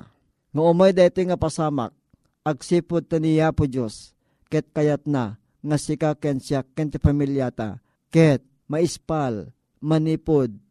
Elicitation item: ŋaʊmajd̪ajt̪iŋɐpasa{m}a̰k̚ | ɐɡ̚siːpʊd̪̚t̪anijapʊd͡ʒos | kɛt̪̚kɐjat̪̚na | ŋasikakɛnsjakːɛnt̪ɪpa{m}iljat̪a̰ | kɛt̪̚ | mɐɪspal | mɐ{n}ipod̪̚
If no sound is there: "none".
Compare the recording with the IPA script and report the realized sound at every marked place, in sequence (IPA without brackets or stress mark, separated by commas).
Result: m, m, n